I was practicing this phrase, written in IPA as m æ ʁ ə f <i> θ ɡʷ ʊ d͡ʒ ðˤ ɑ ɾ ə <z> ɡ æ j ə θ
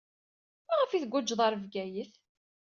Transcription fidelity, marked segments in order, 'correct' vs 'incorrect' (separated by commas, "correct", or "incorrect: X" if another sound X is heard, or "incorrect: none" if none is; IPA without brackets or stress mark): correct, incorrect: v